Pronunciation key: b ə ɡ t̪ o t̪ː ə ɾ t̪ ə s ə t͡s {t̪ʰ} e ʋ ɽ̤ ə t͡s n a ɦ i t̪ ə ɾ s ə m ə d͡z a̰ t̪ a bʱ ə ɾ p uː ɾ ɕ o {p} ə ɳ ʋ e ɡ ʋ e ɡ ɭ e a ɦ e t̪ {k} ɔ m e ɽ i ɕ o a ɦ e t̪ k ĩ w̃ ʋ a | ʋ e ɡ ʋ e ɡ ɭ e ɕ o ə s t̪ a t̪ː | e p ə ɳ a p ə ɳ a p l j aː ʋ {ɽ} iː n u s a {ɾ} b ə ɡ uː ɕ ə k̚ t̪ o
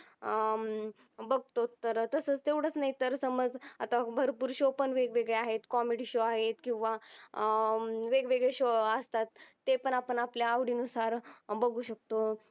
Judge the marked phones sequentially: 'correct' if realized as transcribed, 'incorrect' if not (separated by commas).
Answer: incorrect, correct, correct, correct, correct